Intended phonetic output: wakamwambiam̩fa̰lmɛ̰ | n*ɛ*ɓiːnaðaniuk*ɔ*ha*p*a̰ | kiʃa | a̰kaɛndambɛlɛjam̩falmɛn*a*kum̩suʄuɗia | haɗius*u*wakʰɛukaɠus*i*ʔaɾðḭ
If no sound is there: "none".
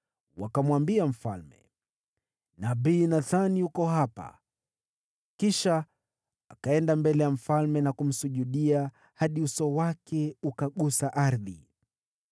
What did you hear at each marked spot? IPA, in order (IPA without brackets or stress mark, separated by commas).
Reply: a, ɔ, p, a, ɔ, a